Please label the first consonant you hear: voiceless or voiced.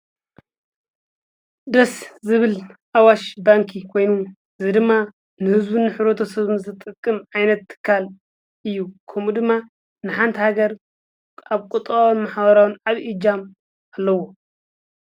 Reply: voiced